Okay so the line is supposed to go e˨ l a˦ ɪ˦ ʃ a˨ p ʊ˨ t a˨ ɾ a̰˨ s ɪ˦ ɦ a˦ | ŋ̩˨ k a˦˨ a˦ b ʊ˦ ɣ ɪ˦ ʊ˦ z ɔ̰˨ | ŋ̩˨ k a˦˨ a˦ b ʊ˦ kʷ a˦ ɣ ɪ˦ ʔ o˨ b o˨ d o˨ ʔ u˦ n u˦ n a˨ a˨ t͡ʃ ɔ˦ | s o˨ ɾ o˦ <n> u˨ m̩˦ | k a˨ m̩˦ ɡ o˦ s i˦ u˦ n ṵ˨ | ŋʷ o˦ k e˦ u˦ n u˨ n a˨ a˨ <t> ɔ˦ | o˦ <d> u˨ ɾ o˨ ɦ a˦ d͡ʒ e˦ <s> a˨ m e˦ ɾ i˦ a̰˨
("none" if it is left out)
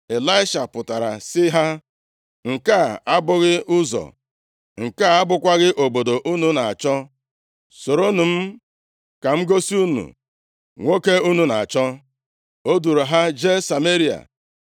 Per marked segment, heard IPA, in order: n, t͡ʃ, d, s

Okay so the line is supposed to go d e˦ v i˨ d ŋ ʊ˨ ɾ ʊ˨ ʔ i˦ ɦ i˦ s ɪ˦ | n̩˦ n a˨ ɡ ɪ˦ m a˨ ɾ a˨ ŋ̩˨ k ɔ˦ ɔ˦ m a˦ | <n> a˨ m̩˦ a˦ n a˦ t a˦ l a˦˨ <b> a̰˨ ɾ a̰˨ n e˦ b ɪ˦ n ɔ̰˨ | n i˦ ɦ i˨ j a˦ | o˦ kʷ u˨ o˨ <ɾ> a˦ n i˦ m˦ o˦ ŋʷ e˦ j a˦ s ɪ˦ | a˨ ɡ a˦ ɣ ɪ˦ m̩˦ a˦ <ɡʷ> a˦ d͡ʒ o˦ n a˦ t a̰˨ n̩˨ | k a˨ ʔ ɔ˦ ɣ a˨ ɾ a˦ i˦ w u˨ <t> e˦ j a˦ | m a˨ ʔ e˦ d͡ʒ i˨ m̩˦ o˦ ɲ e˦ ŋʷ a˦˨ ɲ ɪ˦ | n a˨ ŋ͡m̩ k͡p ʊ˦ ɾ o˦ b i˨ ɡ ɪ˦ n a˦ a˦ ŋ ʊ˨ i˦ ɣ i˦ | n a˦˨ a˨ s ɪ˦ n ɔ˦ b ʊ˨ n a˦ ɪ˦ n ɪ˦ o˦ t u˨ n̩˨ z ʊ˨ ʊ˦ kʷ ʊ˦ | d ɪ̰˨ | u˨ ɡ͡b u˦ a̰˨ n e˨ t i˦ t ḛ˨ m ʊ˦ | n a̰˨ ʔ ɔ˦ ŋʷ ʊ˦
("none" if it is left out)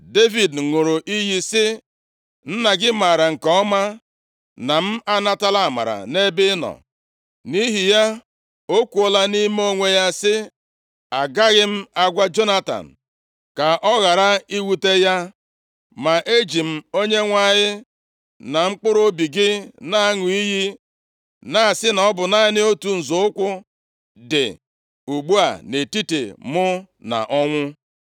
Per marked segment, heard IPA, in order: n, m, l, ɡʷ, t

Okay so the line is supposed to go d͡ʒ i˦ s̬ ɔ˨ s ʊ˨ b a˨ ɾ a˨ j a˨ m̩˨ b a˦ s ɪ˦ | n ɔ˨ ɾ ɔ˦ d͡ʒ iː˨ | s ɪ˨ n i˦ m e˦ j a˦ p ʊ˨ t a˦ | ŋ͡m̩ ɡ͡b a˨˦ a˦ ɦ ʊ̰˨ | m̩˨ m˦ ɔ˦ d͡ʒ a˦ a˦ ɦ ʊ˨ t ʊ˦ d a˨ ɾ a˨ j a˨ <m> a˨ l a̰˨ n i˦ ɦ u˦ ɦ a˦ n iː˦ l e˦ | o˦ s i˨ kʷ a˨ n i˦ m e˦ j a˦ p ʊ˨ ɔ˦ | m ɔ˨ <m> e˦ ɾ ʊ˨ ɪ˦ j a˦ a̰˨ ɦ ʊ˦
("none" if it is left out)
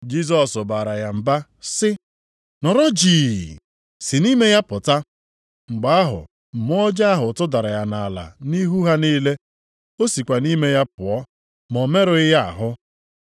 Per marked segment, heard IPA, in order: n, m

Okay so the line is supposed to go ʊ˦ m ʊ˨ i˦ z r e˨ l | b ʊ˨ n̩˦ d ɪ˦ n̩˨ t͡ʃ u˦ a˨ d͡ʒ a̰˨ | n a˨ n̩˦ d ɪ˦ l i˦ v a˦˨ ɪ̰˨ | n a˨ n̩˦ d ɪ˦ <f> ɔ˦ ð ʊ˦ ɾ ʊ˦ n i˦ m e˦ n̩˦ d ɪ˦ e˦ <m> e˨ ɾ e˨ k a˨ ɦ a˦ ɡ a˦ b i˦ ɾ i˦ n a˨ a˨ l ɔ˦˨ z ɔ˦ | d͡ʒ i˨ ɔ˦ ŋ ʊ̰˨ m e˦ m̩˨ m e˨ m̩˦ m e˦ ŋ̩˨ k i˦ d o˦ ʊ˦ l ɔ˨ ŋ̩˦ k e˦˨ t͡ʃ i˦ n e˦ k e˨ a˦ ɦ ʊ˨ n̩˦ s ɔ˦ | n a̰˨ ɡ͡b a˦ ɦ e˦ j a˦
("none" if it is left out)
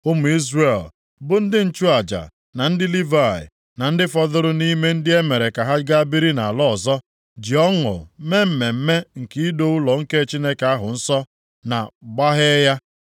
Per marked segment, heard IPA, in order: f, m

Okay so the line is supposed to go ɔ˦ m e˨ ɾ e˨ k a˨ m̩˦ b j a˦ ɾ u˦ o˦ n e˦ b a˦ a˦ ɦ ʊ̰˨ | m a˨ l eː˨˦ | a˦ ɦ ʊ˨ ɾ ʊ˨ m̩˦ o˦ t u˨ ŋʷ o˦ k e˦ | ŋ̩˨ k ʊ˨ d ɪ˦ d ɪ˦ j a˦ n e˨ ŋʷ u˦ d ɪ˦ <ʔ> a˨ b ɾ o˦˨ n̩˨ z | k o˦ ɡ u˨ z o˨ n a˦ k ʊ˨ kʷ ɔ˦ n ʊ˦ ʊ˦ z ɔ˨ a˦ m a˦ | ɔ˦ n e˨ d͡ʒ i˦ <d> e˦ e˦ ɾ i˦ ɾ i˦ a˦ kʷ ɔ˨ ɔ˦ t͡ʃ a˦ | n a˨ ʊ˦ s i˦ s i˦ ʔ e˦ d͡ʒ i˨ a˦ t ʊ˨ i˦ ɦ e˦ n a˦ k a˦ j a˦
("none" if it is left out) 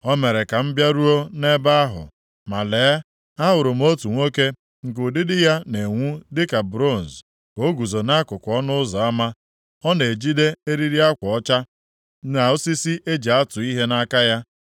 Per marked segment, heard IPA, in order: k, d

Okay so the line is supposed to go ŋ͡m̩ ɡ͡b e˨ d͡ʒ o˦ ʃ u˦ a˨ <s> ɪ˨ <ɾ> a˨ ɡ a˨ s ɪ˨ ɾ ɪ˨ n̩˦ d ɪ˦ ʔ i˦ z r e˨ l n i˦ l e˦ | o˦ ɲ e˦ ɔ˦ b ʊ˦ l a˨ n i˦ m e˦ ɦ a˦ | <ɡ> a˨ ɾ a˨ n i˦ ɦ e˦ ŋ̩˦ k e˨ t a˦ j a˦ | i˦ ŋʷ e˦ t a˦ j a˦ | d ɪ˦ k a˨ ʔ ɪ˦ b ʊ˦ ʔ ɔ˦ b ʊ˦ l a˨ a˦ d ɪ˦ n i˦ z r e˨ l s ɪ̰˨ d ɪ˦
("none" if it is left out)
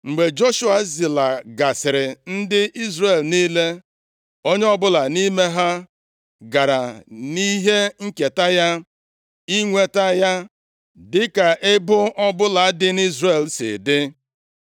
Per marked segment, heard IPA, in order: z, l, ɡ

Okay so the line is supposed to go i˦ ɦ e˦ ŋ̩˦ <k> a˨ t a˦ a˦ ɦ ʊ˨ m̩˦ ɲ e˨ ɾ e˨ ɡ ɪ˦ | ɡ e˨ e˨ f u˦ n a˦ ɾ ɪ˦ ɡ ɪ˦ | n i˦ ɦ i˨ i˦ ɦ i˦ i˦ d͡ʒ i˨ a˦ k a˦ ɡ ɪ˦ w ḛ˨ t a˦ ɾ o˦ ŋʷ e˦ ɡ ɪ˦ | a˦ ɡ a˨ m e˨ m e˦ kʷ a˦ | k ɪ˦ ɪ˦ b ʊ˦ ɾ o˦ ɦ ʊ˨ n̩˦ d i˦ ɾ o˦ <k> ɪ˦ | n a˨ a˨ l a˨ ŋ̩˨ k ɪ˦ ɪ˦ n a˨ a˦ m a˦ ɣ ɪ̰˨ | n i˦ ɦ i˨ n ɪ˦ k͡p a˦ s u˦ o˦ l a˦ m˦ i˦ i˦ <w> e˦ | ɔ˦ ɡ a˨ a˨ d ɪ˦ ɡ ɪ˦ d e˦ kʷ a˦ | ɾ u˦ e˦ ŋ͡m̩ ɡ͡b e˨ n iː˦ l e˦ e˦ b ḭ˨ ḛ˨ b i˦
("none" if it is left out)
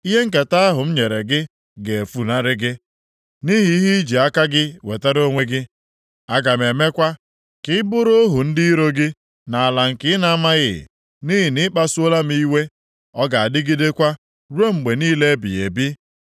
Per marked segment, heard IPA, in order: k, ɡ, w

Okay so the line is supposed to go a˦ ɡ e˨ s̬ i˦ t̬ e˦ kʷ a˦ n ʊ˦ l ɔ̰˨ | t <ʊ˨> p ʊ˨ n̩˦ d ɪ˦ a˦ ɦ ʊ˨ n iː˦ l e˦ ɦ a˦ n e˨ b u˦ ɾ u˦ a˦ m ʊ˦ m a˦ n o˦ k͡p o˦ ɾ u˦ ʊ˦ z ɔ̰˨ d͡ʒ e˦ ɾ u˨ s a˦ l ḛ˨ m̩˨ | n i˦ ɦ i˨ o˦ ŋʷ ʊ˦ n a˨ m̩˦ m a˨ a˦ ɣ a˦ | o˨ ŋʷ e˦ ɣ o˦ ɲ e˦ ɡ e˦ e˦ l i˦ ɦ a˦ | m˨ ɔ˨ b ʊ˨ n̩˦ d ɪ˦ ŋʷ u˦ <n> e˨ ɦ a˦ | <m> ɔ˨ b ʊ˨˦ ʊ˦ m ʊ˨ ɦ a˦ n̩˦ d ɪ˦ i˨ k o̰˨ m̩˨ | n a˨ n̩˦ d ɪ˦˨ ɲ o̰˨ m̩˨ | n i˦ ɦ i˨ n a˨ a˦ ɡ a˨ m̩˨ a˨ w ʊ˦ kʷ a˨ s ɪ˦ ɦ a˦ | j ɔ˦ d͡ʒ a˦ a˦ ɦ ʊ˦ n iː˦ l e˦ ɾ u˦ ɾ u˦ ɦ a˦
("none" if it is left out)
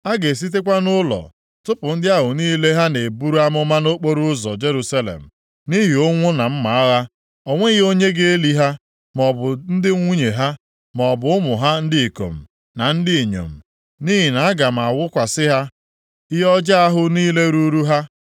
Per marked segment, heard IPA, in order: ʊ˦, ɲ, m

